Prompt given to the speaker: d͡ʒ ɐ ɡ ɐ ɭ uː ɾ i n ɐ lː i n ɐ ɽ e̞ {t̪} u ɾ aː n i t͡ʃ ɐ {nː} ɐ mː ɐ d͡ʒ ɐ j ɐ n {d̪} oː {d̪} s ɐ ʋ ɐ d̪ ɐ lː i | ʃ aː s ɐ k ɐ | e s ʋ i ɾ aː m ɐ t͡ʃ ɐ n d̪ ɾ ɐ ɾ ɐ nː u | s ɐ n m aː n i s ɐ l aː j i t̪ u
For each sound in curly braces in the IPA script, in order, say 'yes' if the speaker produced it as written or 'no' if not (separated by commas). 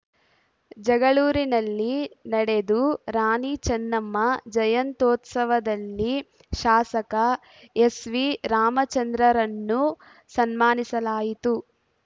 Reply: no, yes, no, no